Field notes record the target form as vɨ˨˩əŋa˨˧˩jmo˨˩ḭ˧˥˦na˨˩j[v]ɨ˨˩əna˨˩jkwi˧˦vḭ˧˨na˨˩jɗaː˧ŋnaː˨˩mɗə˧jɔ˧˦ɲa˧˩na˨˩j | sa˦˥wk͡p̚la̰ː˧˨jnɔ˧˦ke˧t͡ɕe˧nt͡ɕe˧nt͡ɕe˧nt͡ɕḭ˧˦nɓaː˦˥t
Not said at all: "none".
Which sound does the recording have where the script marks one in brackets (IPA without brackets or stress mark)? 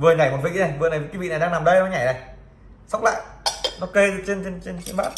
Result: v